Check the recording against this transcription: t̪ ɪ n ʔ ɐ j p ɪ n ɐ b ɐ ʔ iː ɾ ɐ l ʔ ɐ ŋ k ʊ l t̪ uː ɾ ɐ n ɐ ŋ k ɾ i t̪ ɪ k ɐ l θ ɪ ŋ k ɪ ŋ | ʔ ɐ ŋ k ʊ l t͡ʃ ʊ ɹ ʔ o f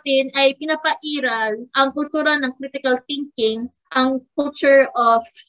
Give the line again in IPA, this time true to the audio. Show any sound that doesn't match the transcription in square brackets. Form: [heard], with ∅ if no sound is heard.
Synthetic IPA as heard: t̪ ɪ n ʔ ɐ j p ɪ n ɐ [p] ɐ ʔ iː ɾ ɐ l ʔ ɐ ŋ k ʊ l t̪ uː ɾ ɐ n ɐ ŋ k ɾ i t̪ ɪ k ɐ l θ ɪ ŋ k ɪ ŋ | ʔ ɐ ŋ k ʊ l t͡ʃ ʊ ɹ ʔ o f